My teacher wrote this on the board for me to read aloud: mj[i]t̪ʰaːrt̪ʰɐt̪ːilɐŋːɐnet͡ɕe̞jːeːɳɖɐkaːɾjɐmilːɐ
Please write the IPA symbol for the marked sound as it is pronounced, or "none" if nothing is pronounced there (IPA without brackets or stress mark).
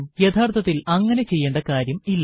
e